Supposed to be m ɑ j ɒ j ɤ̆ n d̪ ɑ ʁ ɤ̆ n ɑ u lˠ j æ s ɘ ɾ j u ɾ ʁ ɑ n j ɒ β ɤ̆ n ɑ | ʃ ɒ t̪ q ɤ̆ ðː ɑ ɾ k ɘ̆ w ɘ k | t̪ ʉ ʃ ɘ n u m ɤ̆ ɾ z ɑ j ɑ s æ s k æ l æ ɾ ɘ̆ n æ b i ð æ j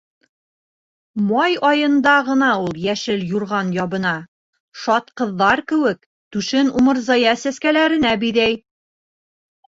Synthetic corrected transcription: m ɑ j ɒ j ɤ̆ n d̪ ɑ ʁ ɤ̆ n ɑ u lˠ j æ ʃ ɘ l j u ɾ ʁ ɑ n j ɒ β ɤ̆ n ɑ | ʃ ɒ t̪ q ɤ̆ ðː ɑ ɾ k ɘ̆ w ɘ k | t̪ ʉ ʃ ɘ n u m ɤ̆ ɾ z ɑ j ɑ s æ s k æ l æ ɾ ɘ̆ n æ b i ð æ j

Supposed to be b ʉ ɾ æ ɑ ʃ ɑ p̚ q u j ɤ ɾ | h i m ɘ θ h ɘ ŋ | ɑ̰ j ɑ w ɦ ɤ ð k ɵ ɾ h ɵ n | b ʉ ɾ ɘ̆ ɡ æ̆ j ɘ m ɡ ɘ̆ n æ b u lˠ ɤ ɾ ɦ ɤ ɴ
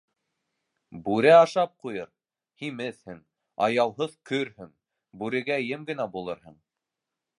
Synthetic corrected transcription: b ʉ ɾ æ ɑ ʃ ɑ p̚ q u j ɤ ɾ | h i m ɘ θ h ɘ ŋ | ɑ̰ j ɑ w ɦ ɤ ð k ɵ ɾ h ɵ ŋ | b ʉ ɾ ɘ̆ ɡ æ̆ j ɘ m ɡ ɘ̆ n æ b u lˠ ɤ ɾ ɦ ɤ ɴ

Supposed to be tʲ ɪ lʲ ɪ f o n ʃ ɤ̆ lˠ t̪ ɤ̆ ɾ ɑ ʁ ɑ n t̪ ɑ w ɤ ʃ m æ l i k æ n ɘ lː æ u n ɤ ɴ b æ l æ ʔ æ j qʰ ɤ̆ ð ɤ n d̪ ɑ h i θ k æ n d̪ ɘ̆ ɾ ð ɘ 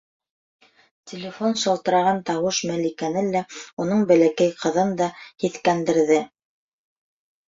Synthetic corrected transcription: tʲ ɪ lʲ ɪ f o n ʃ ɤ̆ lˠ t̪ ɤ̆ ɾ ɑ ʁ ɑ n t̪ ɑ w ɤ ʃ m æ l i k æ n ɘ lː æ u n ɤ ɴ b æ l æ k æ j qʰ ɤ̆ ð ɤ n d̪ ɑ h i θ k æ n d̪ ɘ̆ ɾ ð ɘ

